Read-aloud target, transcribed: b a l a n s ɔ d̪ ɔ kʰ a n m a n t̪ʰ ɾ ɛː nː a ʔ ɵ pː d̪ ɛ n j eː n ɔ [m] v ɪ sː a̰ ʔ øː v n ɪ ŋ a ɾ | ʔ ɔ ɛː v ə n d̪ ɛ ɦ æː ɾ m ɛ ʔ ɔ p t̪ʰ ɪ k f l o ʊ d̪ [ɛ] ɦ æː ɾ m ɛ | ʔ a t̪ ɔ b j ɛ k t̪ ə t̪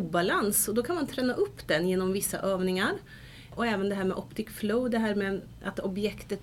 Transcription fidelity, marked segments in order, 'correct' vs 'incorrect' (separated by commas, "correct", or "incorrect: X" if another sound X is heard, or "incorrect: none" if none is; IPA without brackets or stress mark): correct, correct